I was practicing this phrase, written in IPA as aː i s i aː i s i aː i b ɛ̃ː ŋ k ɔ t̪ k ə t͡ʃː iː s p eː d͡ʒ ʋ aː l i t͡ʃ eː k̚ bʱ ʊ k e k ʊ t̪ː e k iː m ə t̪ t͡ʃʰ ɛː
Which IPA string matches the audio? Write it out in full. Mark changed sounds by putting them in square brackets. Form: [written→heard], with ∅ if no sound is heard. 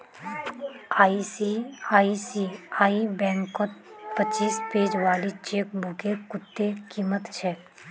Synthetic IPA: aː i s i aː i s i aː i b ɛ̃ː ŋ k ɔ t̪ [k→p] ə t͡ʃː iː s p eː d͡ʒ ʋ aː l i t͡ʃ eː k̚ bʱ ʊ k e k ʊ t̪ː e k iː m ə t̪ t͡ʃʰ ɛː